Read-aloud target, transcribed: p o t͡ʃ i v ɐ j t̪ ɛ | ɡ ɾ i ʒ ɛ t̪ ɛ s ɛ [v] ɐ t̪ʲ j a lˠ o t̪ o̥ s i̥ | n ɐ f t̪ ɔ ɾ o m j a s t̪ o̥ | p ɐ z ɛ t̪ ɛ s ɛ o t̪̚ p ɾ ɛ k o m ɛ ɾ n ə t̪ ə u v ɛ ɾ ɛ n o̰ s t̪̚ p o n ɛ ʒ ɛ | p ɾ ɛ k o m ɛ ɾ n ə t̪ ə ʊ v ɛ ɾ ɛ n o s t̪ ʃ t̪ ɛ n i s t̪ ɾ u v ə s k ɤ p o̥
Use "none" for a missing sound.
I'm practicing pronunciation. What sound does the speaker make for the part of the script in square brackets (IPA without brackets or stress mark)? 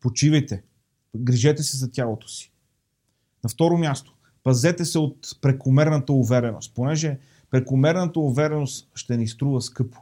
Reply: z